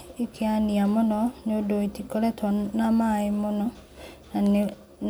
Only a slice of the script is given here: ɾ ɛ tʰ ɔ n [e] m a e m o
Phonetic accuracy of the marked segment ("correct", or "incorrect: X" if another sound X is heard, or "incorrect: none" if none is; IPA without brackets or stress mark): incorrect: a